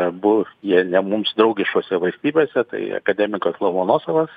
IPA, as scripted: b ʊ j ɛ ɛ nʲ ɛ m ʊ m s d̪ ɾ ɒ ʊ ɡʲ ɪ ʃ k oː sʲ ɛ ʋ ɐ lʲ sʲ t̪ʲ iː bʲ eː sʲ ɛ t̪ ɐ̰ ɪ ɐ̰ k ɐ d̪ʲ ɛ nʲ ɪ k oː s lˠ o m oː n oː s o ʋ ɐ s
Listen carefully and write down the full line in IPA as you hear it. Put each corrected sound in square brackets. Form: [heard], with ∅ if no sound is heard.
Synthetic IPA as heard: b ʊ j [i] ɛ nʲ ɛ m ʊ m s d̪ ɾ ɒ ʊ ɡʲ ɪ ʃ k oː sʲ ɛ ʋ ɐ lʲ sʲ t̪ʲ iː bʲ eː sʲ ɛ t̪ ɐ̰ ɪ ɐ̰ k ɐ d̪ʲ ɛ [mʲ] ɪ k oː s lˠ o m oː n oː s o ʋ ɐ s